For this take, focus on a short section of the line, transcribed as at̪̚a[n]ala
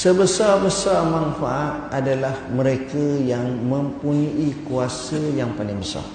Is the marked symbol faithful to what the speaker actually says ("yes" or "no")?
no